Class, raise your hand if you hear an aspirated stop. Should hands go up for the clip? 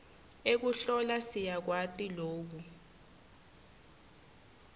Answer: no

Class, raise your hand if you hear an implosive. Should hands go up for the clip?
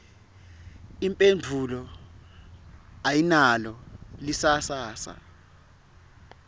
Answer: no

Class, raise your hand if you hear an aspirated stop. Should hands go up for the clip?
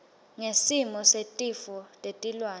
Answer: no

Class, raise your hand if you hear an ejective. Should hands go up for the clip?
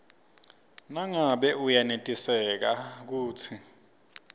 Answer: yes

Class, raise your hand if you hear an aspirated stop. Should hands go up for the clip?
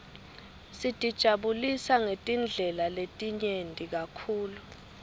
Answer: yes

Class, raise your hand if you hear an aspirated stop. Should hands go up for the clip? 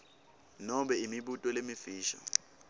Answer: no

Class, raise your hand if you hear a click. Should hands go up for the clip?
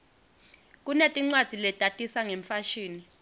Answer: yes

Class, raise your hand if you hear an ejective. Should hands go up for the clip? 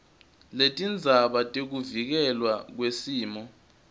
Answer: yes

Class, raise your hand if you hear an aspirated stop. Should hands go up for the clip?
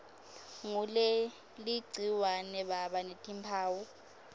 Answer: yes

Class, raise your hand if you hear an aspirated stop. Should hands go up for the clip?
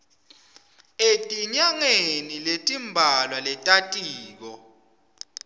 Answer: no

